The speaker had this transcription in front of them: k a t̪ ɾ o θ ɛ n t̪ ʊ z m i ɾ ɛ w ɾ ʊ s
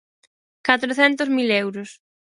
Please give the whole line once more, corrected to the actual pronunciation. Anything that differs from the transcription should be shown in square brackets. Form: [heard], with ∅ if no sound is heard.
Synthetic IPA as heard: k a t̪ ɾ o θ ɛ n t̪ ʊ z m i [l] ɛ w ɾ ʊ s